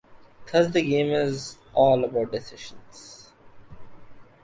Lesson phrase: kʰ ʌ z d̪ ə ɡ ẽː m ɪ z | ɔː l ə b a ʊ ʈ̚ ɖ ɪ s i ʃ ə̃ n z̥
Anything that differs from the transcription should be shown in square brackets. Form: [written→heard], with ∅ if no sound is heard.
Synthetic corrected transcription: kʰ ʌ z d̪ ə ɡ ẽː m ɪ z | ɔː l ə b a ʊ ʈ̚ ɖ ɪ s [i→ɪ] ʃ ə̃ n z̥